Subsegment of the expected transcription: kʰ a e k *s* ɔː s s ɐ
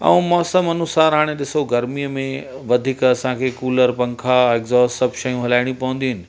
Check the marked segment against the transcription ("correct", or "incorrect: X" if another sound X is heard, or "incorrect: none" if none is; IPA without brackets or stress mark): incorrect: z